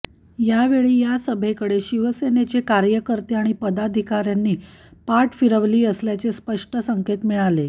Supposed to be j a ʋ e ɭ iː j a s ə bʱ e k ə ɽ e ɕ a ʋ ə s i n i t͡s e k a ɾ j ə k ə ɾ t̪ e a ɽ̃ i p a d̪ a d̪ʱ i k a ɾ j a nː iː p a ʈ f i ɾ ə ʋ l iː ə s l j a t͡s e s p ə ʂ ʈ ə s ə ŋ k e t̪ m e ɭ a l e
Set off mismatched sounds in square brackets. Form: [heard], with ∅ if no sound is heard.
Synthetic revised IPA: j a ʋ e ɭ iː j a s ə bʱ e k ə ɽ e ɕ [i] ʋ ə s [e] n [e] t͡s e k a ɾ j ə k ə ɾ t̪ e a ɽ̃ i p [ə] d̪ a d̪ʱ i k a ɾ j a nː iː p a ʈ f i ɾ ə ʋ l iː ə s l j a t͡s e s p ə ʂ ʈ ə s ə ŋ k e t̪ m [i] ɭ a l e